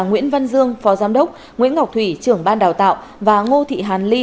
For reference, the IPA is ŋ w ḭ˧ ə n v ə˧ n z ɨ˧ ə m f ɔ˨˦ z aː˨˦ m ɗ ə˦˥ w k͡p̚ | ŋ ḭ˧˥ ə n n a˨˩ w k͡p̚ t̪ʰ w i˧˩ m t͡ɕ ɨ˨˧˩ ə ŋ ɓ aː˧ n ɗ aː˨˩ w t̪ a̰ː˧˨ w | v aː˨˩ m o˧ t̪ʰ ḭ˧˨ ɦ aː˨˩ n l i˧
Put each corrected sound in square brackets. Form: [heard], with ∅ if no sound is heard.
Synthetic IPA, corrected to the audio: ŋ w [ḭ˧˥] ə n v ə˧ n z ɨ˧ ə [ŋ] f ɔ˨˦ z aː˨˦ m ɗ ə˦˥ w k͡p̚ | ŋ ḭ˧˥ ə n [ŋ] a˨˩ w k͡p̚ t̪ʰ w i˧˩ [∅] t͡ɕ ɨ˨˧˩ ə ŋ ɓ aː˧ n ɗ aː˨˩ w t̪ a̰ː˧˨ w | v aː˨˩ [ŋ] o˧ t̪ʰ ḭ˧˨ ɦ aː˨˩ n l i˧